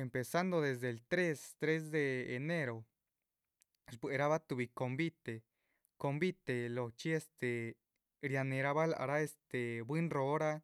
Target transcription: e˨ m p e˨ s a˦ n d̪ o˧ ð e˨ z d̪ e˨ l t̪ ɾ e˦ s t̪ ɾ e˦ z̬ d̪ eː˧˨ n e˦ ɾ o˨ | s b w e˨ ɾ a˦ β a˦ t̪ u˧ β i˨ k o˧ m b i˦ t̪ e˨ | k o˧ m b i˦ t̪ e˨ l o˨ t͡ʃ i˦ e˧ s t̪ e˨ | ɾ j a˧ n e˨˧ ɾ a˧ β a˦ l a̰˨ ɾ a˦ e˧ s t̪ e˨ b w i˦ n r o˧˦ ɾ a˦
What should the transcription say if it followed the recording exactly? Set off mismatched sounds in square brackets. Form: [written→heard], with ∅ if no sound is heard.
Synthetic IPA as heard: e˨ m p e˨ s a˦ n d̪ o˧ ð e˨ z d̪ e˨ l t̪ ɾ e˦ s t̪ ɾ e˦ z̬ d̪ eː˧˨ n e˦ ɾ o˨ | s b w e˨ ɾ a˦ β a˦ t̪ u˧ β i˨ k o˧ m b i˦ t̪ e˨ | k o˧ m b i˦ t̪ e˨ l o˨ t͡ʃ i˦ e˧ s t̪ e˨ | ɾ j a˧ n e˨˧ ɾ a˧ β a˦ l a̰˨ ɾ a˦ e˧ s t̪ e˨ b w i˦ n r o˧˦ ɾ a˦